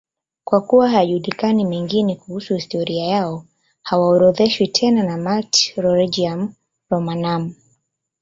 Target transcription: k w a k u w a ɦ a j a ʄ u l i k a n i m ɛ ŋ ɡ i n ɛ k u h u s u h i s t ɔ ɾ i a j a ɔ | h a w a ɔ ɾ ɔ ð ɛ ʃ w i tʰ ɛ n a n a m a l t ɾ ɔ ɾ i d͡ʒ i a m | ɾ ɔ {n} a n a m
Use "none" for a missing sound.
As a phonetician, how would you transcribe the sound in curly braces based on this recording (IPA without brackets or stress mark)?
m